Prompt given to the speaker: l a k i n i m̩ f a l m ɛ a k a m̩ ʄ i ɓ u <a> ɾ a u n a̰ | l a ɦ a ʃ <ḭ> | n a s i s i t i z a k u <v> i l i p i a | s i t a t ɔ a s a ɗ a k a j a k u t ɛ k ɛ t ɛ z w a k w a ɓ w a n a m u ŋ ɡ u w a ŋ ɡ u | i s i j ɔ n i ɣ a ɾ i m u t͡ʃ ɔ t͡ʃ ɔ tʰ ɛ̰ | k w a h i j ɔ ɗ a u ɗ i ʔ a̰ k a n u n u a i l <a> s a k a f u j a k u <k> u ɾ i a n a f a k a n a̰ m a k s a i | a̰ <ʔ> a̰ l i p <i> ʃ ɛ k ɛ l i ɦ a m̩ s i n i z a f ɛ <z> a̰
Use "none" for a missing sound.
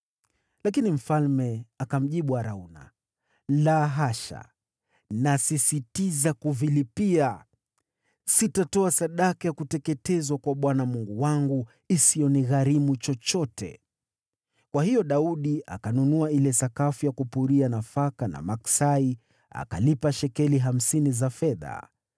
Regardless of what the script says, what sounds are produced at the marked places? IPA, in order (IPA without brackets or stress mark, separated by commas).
a, a̰, v, ɛ, p, k, a, ð